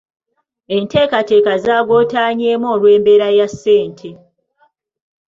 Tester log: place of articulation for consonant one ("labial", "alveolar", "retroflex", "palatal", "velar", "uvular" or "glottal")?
alveolar